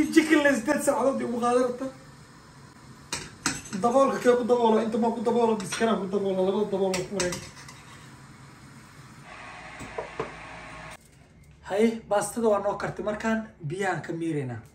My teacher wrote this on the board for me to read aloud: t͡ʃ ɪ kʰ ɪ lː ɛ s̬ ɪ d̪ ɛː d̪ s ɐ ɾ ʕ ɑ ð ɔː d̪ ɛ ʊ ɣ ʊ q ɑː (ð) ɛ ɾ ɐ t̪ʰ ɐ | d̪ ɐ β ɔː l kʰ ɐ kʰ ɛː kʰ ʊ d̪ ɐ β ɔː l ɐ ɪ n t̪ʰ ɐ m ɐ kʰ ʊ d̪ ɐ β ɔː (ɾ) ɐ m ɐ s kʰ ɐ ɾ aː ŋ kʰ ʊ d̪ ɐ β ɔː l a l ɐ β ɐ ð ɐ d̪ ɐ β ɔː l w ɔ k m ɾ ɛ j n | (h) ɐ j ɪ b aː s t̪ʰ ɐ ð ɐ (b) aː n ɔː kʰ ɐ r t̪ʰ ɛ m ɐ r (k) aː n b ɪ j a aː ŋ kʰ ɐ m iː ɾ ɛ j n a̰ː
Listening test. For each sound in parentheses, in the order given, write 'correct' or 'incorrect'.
correct, incorrect: l, correct, incorrect: w, incorrect: kʰ

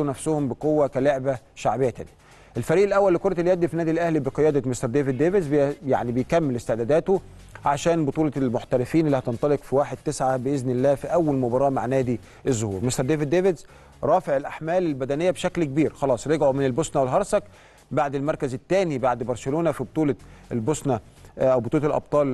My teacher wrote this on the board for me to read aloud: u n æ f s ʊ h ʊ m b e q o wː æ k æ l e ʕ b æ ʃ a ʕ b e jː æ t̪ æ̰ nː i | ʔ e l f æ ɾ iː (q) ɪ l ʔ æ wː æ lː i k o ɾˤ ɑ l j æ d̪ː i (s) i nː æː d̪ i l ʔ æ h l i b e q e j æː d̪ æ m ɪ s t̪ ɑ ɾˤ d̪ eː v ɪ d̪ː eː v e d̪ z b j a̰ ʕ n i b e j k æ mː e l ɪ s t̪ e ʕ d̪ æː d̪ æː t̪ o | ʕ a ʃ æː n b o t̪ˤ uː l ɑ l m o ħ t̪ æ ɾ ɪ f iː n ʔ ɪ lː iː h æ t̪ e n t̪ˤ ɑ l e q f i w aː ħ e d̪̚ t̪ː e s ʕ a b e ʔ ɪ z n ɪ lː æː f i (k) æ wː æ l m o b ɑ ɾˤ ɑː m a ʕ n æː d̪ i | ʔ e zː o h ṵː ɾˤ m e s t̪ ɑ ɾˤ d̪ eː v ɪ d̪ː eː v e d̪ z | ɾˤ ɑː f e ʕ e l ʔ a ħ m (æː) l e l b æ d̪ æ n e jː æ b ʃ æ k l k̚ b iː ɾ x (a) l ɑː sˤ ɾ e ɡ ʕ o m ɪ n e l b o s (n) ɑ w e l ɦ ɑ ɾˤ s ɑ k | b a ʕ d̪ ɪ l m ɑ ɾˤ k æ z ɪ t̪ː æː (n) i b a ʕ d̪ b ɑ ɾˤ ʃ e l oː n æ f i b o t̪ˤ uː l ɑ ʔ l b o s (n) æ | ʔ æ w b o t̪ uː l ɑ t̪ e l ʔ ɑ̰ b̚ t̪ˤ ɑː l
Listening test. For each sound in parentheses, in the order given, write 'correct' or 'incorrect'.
incorrect: ʔ, incorrect: f, incorrect: ʔ, correct, incorrect: ɑ, correct, correct, correct

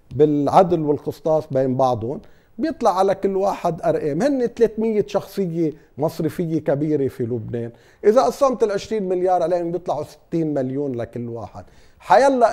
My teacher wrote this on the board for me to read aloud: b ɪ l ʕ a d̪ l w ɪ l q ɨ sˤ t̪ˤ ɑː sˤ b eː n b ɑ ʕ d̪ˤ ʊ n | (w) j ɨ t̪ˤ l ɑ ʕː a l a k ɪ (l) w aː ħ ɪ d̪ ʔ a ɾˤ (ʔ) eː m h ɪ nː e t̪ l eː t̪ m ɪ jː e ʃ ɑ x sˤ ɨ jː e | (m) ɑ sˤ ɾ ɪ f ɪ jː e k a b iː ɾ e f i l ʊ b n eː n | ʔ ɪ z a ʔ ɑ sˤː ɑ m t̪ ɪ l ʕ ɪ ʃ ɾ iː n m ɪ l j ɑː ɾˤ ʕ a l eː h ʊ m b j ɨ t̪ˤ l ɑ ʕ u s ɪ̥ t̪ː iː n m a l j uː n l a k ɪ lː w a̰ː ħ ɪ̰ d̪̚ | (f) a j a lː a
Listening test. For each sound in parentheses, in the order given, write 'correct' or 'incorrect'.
incorrect: b, incorrect: lː, correct, correct, incorrect: ħ

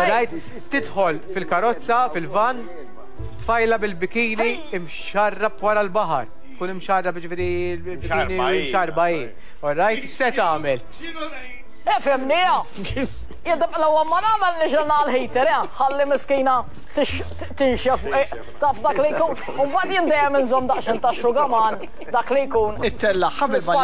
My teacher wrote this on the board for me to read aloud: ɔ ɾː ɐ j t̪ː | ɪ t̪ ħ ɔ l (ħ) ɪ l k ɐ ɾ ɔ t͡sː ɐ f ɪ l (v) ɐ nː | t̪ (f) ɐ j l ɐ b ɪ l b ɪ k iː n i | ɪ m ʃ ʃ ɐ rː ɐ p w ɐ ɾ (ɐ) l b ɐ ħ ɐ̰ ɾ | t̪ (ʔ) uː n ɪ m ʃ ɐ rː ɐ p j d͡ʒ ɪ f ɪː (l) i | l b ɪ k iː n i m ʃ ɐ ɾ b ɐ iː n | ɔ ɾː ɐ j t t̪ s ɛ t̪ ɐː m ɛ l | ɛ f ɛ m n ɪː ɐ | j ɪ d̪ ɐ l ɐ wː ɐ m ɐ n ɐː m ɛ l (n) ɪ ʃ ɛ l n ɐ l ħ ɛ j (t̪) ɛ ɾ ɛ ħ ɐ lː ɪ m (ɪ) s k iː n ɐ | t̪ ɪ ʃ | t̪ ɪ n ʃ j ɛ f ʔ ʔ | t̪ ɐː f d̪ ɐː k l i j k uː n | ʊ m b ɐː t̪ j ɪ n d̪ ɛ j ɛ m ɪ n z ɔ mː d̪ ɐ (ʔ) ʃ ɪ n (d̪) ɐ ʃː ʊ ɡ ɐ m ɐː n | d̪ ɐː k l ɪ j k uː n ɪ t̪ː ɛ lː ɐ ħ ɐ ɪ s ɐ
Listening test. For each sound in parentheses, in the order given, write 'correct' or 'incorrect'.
incorrect: f, correct, correct, correct, incorrect: k, incorrect: ɾ, correct, correct, correct, correct, incorrect: t̪

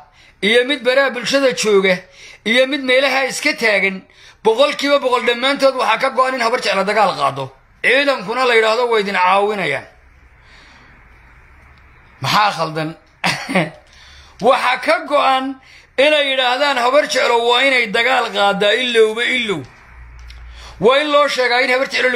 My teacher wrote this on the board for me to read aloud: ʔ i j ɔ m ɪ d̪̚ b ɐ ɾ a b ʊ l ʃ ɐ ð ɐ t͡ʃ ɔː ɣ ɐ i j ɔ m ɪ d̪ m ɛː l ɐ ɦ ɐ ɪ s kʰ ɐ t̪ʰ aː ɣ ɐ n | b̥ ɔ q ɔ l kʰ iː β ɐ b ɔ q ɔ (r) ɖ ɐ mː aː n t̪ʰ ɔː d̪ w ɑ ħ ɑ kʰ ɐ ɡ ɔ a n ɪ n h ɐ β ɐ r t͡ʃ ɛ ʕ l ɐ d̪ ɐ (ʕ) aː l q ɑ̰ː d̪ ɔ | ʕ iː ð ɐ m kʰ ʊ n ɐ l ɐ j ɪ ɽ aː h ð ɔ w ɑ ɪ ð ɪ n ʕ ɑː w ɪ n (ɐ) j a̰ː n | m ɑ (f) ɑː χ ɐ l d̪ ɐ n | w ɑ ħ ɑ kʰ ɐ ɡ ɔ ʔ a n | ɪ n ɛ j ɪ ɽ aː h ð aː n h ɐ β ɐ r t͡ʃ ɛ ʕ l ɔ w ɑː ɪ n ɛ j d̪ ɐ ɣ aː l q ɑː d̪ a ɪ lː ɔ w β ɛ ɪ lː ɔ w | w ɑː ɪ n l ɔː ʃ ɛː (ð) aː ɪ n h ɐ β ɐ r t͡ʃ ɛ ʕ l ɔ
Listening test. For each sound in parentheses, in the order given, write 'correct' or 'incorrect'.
incorrect: l, incorrect: ɣ, correct, incorrect: ħ, incorrect: ɣ

